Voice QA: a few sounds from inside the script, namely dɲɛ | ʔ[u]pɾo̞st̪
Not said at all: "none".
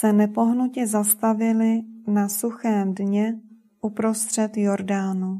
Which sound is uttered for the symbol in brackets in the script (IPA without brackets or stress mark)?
u